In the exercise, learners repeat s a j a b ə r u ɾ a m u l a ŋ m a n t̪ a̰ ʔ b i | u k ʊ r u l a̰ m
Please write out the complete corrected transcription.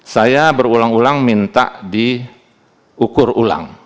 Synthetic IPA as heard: s a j a b ə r u l a ŋ u l a ŋ m i n t̪ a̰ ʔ d i | u k ʊ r u l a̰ ŋ